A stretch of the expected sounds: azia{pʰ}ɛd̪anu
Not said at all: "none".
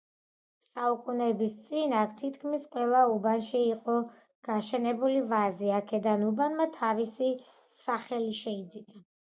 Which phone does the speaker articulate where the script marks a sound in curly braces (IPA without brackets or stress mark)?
kʰ